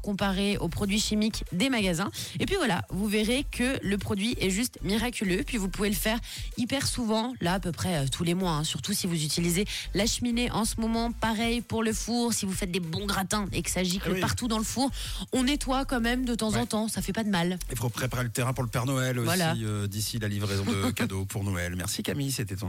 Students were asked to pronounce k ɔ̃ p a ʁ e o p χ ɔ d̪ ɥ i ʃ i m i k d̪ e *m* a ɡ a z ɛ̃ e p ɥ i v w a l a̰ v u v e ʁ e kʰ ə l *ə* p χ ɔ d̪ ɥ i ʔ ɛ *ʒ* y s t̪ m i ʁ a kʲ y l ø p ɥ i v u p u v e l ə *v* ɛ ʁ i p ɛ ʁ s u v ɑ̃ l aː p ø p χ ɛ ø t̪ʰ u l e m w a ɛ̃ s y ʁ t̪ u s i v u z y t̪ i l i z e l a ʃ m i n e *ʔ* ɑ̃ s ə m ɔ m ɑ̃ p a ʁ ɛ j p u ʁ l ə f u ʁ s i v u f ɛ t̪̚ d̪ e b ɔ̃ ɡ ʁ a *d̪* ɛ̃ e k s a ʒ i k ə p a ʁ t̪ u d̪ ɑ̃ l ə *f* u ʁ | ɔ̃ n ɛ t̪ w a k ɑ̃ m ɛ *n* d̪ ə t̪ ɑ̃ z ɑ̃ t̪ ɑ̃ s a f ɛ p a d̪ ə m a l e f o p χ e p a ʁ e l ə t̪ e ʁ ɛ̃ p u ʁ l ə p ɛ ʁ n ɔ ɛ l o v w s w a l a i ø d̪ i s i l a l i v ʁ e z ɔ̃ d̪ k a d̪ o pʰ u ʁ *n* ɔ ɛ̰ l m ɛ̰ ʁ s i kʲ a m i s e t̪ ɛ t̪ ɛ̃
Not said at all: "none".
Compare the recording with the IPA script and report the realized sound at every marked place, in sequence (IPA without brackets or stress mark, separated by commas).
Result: m, ə, ʒ, f, ʔ, t̪, f, m, n